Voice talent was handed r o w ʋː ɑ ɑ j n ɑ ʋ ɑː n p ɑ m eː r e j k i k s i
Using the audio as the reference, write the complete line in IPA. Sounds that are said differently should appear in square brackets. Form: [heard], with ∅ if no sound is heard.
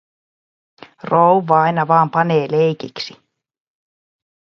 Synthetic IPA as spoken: r o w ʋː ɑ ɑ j n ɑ ʋ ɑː [m] p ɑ [n] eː [l] e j k i k s i

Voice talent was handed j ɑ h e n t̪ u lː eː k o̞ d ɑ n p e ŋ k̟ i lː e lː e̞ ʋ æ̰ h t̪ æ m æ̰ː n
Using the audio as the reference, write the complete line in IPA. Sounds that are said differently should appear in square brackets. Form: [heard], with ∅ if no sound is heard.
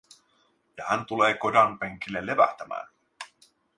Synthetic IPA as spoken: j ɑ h [æ] n t̪ u [l] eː k o̞ d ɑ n p e ŋ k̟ i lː e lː e̞ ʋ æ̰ h t̪ æ m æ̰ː n

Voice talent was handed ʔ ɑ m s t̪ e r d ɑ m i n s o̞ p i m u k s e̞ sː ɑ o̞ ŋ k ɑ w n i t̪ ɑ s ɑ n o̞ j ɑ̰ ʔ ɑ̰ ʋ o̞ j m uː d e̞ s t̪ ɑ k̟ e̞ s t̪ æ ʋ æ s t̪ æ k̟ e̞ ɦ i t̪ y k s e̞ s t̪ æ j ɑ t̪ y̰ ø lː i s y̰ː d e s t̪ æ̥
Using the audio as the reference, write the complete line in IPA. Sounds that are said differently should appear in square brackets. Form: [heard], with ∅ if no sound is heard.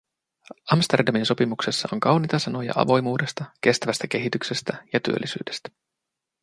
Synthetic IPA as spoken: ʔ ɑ m s t̪ e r d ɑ m i n s o̞ p i m u k s e̞ sː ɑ o̞ ŋ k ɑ w n i t̪ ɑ s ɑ n o̞ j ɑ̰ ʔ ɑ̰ ʋ o̞ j m uː d e̞ s t̪ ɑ k̟ e̞ s t̪ æ ʋ æ s t̪ æ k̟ e̞ ɦ i t̪ y k s e̞ s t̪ æ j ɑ t̪ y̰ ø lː i s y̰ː d e s t̪ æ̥

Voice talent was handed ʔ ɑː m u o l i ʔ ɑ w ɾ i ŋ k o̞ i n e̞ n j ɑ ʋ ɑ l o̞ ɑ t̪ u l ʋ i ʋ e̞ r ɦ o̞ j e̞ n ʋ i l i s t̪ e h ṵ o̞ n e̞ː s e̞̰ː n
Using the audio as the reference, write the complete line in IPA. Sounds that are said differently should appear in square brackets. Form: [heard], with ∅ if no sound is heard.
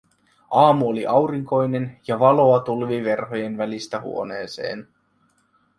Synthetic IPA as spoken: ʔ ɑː m u o l i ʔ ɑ w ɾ i ŋ k o̞ [j] n e̞ n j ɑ ʋ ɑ l o̞ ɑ t̪ u l ʋ i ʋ e̞ r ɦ o̞ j e̞ n ʋ [æ] l i s t̪ [æ] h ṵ o̞ n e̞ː s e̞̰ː n

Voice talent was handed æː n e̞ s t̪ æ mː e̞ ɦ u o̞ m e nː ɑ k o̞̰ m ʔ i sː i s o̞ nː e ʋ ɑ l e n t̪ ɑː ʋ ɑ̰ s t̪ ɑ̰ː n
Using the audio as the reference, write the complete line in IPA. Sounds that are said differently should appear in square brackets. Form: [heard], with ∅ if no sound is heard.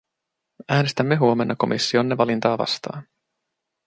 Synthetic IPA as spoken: æː n e̞ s t̪ æ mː e̞ ɦ u o̞ m e nː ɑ k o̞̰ m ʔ i sː i [∅] o̞ nː e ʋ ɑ l [i] n t̪ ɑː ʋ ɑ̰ s t̪ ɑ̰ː n

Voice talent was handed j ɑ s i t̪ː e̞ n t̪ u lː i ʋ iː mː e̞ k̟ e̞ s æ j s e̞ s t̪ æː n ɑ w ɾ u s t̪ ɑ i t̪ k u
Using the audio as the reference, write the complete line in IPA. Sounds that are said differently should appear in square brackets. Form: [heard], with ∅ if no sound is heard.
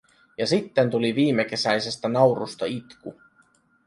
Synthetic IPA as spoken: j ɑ s i t̪ː e̞ n t̪ u [l] i ʋ iː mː e̞ k̟ e̞ s æ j s e̞ s t̪ [æ] n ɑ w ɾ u s t̪ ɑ i t̪ k u

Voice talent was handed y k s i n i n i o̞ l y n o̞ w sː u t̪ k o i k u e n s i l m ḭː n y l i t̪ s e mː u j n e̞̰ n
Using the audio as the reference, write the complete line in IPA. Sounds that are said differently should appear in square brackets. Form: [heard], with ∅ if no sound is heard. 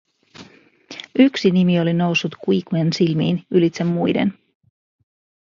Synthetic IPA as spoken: y k s i n i [m] i o̞ l [i] n o̞ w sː u t̪ k [u] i k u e n s i l m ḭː n y l i t̪ s e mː u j [d] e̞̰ n

